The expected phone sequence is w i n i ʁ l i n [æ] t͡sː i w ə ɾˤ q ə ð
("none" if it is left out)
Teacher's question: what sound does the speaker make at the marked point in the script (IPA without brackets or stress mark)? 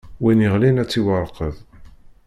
æ